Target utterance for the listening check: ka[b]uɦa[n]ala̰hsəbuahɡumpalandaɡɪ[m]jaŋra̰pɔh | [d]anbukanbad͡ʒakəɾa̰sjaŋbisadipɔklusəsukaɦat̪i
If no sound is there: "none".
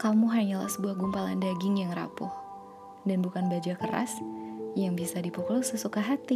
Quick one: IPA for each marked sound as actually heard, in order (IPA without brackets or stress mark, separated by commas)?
m, ɲ, ŋ, d